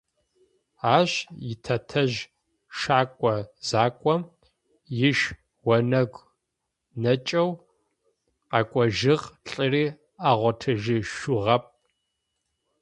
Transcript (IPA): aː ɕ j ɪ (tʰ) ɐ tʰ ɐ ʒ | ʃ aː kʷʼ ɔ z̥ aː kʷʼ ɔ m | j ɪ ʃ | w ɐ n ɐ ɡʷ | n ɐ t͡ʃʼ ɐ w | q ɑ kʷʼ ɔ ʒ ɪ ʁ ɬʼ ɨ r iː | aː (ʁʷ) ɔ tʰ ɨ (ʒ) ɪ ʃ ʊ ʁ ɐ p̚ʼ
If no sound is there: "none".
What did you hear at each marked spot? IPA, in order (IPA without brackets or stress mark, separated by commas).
tʰ, ʁʷ, ʒ